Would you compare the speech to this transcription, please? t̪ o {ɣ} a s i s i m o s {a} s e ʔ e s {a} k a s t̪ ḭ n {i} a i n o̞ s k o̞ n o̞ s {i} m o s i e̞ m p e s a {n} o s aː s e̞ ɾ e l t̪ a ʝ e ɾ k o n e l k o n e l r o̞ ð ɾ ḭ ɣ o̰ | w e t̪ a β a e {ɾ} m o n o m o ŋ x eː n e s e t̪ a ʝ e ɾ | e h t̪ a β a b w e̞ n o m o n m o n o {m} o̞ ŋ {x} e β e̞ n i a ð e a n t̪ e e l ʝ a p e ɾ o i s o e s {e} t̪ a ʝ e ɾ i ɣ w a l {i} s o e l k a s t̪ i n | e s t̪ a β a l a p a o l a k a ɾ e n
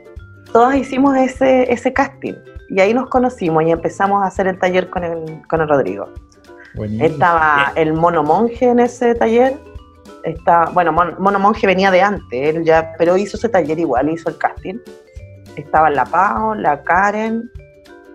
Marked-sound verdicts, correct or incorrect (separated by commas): incorrect, incorrect, incorrect, correct, correct, incorrect, incorrect, correct, correct, correct, correct